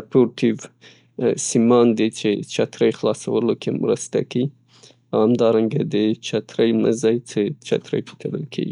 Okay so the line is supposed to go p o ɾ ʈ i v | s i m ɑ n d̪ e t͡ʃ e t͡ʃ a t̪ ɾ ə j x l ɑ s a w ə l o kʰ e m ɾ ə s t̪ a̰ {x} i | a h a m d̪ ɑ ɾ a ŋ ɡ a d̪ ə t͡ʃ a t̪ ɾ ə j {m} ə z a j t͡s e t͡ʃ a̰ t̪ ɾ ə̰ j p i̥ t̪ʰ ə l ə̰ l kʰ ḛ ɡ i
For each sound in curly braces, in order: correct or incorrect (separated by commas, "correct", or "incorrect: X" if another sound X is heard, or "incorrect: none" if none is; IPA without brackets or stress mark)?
incorrect: k, correct